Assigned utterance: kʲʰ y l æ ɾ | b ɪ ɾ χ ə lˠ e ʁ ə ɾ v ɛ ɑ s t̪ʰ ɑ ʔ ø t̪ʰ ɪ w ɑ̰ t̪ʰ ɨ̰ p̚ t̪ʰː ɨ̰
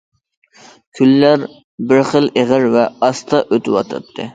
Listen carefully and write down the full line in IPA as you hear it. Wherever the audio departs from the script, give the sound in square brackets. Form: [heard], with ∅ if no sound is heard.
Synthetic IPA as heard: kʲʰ y [lː] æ ɾ | b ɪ ɾ χ ə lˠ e ʁ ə ɾ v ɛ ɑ s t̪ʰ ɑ ʔ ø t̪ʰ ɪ w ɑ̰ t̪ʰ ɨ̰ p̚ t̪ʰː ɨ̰